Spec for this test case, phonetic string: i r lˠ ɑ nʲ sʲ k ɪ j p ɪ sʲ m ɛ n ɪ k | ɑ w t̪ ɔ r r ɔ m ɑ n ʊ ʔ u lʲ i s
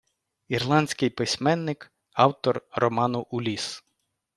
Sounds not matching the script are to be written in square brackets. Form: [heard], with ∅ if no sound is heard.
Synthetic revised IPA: i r lˠ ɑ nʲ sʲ k ɪ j p ɪ sʲ m ɛ [nː] ɪ k | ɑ w t̪ ɔ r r ɔ m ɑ n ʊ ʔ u lʲ i s